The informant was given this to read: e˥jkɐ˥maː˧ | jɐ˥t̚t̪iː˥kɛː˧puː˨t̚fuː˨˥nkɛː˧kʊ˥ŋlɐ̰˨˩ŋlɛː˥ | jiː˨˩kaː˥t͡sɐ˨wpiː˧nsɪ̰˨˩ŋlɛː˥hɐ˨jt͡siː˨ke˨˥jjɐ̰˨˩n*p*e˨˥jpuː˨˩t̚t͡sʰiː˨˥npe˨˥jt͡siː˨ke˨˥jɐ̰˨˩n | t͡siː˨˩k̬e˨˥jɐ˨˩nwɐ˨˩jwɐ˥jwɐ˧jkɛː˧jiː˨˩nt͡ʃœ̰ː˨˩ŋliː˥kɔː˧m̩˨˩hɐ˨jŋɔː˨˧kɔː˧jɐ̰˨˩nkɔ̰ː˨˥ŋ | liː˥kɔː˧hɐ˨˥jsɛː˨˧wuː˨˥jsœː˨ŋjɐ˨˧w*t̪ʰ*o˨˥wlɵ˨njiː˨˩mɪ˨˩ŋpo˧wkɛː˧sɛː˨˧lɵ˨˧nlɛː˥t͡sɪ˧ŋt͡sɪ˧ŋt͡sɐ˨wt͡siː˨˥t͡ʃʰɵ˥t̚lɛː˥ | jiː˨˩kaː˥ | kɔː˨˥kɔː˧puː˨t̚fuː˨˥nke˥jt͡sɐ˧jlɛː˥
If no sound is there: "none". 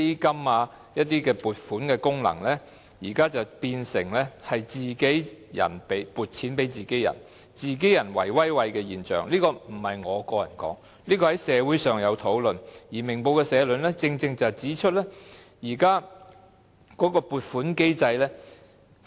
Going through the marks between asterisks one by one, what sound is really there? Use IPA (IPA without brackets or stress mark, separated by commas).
p, t̪ʰ